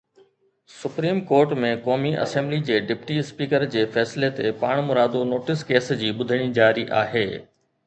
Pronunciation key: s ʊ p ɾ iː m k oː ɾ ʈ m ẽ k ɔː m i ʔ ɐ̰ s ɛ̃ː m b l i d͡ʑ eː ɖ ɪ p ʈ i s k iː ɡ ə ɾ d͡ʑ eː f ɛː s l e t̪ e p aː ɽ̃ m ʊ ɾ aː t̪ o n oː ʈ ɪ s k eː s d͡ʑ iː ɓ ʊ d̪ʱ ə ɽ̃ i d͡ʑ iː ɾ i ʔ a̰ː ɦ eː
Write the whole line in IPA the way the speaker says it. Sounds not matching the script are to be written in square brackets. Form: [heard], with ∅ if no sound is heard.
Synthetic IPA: s ʊ p ɾ iː m k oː ɾ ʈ m ẽ k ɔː m i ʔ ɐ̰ s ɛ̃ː m b l i d͡ʑ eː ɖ ɪ p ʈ i s [p] iː [k] ə ɾ d͡ʑ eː f ɛː s l e t̪ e p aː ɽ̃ m ʊ ɾ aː [d̪] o n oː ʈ ɪ s k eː s d͡ʑ iː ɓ ʊ d̪ʱ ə ɽ̃ i d͡ʑ [aː] ɾ i ʔ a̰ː ɦ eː

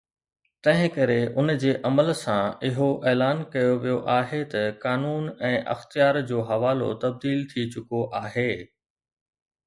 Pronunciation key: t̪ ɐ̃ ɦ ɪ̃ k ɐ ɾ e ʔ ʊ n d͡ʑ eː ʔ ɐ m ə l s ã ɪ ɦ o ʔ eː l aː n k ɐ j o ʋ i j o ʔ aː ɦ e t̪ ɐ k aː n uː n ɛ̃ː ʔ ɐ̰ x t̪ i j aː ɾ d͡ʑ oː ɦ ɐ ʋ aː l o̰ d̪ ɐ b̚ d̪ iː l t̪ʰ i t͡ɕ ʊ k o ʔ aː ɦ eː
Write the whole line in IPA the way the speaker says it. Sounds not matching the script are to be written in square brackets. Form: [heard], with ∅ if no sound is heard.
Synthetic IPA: t̪ ɐ̃ ɦ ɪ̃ k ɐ ɾ e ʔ ʊ n d͡ʑ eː ʔ ɐ m ə l s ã ɪ ɦ o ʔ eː l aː n k ɐ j o ʋ i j o ʔ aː ɦ e t̪ ɐ k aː n uː n ɛ̃ː ʔ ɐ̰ x t̪ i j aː ɾ d͡ʑ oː ɦ ɐ ʋ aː l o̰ [t̪] ɐ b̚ d̪ iː l t̪ʰ i t͡ɕ ʊ k o ʔ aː ɦ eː

